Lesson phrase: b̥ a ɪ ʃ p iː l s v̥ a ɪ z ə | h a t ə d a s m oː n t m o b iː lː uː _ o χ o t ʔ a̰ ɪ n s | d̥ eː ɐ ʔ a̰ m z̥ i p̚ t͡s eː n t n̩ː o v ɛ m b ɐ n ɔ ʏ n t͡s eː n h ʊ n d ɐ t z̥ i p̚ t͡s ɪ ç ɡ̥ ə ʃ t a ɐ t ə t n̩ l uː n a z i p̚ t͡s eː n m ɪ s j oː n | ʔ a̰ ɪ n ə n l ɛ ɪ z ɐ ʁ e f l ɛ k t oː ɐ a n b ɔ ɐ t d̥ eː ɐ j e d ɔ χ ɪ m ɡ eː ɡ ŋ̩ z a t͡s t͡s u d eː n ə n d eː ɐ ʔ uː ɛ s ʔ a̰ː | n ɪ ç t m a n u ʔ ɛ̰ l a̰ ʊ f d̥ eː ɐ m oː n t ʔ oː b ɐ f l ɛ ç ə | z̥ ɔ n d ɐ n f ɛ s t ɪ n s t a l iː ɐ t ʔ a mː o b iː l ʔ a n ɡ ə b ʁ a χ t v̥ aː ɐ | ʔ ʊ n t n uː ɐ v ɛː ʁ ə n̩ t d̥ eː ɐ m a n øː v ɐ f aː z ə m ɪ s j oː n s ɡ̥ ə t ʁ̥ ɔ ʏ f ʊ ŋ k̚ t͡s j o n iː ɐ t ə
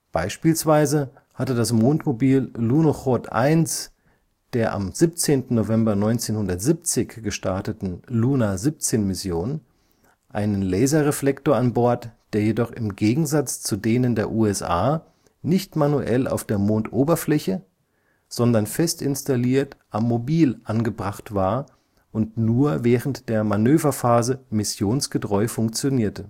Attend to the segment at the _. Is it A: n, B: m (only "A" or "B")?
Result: A